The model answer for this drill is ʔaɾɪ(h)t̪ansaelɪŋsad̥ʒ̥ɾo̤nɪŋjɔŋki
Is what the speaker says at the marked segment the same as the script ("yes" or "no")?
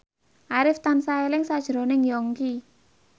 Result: no